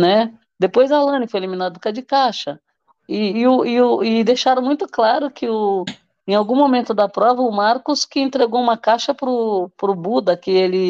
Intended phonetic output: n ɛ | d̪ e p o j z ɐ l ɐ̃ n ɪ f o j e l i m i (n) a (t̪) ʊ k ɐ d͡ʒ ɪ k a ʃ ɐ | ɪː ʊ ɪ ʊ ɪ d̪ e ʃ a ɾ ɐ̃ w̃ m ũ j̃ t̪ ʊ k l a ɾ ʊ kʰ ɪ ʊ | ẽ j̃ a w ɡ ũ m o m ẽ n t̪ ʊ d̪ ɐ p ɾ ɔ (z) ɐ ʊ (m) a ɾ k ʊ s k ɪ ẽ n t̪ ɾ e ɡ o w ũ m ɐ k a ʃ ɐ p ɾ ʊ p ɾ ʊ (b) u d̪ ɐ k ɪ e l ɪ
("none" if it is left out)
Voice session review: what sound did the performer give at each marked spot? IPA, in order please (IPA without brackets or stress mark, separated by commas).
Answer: n, d̪, v, m, b